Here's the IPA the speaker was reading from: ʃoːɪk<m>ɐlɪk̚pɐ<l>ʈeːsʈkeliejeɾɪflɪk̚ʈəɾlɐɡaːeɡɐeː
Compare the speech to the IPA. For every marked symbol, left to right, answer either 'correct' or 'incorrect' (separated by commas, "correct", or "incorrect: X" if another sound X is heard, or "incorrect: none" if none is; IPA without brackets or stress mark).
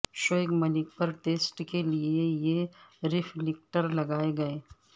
correct, incorrect: ɾ